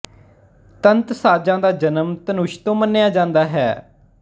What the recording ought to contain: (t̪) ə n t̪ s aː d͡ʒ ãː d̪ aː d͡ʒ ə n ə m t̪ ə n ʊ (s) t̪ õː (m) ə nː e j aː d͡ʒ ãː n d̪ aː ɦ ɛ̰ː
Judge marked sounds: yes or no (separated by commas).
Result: yes, no, yes